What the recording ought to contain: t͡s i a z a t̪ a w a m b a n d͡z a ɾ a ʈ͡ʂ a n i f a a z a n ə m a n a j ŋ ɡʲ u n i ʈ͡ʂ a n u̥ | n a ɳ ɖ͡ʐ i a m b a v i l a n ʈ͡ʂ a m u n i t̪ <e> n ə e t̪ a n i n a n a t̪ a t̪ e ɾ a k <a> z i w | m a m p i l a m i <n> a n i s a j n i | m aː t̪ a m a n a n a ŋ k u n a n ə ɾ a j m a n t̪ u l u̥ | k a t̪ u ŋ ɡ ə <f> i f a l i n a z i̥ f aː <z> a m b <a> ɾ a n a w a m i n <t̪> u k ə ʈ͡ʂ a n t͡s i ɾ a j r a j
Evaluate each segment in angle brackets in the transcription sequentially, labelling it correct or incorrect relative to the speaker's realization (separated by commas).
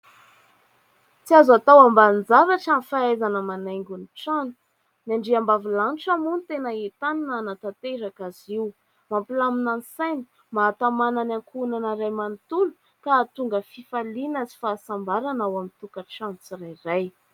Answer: correct, correct, correct, correct, incorrect, correct, correct